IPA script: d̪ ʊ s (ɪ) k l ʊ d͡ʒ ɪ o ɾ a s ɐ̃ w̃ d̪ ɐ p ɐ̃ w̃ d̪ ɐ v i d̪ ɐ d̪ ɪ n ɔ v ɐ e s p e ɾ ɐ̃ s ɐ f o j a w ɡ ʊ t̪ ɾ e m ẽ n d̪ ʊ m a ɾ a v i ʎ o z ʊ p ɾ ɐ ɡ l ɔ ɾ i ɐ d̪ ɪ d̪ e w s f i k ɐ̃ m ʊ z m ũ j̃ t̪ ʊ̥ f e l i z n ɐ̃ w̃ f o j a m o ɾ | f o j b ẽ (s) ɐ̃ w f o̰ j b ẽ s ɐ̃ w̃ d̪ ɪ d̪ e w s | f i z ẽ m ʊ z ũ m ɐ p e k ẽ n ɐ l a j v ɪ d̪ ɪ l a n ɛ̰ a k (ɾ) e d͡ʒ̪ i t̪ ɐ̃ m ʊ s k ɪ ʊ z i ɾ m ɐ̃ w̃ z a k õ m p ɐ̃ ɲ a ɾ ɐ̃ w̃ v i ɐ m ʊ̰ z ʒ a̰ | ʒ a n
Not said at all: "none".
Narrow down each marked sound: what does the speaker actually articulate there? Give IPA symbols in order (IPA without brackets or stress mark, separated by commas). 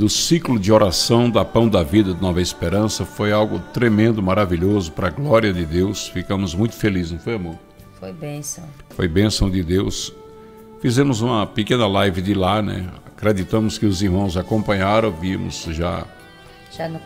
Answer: i, s, ɾ